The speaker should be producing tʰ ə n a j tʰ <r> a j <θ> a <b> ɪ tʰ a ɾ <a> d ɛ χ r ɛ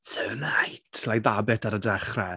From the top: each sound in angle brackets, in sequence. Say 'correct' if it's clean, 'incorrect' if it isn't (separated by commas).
incorrect, incorrect, correct, incorrect